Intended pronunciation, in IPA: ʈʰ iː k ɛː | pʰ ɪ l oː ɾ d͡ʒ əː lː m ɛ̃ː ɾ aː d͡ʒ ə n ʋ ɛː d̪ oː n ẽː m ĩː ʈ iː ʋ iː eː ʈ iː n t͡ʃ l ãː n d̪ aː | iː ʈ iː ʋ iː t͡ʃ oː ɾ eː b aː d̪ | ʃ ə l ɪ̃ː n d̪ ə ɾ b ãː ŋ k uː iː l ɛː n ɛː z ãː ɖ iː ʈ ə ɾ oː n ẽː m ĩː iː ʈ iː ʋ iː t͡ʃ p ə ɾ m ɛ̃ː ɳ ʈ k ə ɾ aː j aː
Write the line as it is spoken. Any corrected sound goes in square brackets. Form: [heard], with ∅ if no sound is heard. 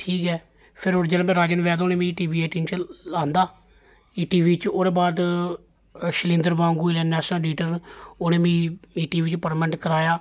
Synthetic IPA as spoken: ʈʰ iː k ɛː | pʰ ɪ [ɾ] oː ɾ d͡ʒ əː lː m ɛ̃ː ɾ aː d͡ʒ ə n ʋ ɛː d̪ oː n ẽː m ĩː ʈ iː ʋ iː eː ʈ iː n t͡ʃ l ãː n d̪ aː | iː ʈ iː ʋ iː t͡ʃ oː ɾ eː b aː d̪ | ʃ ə l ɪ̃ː n d̪ ə ɾ b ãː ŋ [ɡ] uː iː l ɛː n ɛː [s] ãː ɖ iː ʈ ə ɾ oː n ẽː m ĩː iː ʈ iː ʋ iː t͡ʃ p ə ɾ m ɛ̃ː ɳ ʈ k ə ɾ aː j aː